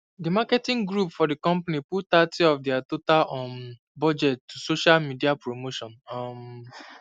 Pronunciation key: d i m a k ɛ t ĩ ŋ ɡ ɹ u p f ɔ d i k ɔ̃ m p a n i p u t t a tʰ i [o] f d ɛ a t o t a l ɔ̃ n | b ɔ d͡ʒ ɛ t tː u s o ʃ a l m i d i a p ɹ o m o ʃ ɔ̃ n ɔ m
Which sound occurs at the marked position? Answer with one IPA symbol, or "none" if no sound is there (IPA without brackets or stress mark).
ɔ